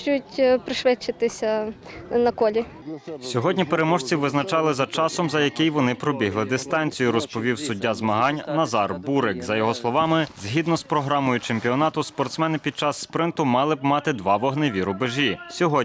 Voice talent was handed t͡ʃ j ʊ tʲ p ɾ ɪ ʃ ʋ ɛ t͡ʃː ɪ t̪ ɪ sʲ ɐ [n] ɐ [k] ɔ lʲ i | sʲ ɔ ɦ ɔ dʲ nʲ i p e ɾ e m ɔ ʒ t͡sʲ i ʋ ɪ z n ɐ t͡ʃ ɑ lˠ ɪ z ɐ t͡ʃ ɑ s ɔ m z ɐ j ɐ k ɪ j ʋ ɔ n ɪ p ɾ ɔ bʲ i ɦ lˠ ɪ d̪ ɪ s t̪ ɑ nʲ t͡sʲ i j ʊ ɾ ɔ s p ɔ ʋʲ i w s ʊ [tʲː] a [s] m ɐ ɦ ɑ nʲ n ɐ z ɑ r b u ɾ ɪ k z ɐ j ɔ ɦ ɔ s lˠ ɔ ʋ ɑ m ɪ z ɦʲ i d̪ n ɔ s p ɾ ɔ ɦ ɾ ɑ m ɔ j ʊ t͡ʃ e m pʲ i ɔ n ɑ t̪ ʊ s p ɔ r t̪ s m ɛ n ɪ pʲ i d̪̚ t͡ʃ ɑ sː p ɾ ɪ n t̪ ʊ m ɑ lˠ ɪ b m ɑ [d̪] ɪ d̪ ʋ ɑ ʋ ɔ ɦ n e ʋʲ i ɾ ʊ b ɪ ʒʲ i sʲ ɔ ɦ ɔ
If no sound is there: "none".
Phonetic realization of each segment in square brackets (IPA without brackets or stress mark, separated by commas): n, k, dʲː, z, t̪